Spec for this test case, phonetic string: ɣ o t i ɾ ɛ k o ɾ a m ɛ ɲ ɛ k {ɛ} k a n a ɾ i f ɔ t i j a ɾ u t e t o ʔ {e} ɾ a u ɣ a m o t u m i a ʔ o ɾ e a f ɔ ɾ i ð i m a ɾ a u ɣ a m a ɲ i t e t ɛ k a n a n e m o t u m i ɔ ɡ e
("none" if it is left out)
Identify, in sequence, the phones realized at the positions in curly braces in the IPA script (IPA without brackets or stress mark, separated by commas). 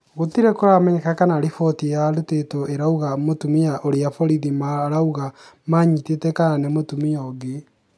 a, e